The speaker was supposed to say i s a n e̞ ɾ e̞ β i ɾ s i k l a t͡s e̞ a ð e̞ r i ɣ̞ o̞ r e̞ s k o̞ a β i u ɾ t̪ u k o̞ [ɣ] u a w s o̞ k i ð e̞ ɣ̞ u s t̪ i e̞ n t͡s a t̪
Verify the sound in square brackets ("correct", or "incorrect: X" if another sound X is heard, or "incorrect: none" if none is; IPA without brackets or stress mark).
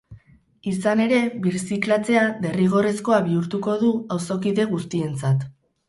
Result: incorrect: ð